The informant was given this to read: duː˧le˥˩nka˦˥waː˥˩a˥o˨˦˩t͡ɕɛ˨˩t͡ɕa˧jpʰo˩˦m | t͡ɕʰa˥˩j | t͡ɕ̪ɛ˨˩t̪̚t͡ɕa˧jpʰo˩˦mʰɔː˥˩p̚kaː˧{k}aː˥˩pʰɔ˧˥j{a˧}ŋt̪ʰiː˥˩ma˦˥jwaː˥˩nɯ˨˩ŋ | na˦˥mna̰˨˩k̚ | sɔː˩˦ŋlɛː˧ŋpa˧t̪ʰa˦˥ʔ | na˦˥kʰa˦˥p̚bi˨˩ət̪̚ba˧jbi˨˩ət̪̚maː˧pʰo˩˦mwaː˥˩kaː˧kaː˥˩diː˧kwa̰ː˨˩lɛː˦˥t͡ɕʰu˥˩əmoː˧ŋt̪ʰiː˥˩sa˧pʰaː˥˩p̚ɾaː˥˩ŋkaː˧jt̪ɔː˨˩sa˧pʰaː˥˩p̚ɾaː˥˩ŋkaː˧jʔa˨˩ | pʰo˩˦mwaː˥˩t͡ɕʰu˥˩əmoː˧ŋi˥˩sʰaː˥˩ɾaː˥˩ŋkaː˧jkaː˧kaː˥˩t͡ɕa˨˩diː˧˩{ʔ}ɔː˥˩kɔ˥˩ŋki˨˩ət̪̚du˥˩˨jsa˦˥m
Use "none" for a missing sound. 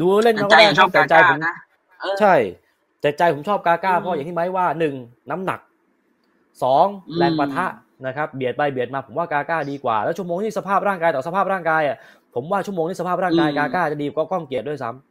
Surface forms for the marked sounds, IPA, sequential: k, a˨˩, k

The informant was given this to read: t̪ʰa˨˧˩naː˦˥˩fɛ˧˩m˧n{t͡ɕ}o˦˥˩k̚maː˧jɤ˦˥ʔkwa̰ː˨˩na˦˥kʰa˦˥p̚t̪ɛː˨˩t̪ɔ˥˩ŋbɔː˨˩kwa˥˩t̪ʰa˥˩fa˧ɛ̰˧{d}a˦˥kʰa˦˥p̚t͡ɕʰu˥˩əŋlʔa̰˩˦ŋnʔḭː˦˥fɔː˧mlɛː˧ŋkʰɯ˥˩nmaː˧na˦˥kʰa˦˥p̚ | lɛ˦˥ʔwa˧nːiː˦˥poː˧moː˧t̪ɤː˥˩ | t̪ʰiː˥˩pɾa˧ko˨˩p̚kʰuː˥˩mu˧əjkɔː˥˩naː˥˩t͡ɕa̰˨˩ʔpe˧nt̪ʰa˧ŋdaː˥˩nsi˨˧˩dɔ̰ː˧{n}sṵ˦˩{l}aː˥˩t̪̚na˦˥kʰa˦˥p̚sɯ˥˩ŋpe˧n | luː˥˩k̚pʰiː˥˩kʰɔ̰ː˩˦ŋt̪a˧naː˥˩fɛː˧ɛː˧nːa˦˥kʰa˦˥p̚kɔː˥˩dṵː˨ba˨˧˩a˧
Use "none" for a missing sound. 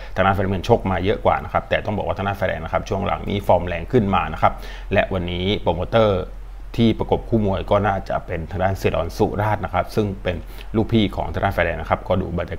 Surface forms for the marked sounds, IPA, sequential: t͡ɕʰ, n, n, ɾ

